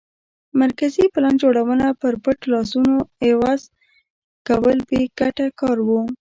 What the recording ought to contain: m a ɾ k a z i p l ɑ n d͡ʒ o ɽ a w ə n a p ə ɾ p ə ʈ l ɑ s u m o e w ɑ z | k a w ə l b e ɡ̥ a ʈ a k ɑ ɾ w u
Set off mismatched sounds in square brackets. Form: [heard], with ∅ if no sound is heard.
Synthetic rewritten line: m a ɾ k a z i p l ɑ n d͡ʒ o ɽ a w ə n a p ə ɾ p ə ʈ l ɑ s u [n] o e w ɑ z | k a w ə l b e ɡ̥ a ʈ a k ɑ ɾ w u